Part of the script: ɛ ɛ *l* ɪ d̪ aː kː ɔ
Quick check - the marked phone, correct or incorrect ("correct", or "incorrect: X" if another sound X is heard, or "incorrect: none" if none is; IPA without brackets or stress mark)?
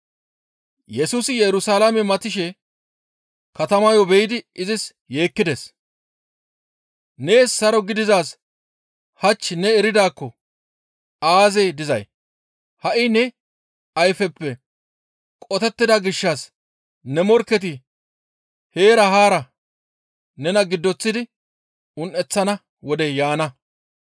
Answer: incorrect: ɾ